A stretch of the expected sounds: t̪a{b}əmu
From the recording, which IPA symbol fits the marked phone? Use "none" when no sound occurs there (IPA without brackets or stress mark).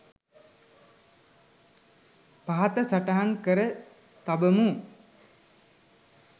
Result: b